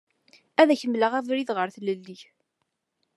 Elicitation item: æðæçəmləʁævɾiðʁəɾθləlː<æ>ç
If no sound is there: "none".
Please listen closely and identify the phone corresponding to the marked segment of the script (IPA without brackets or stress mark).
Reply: i